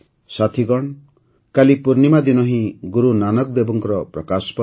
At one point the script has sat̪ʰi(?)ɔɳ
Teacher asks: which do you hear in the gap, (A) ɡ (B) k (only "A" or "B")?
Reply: A